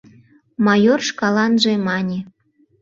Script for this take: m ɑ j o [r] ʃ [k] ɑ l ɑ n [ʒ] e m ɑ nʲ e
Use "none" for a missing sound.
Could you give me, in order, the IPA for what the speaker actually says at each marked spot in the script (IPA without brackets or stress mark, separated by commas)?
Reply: r, k, ʒ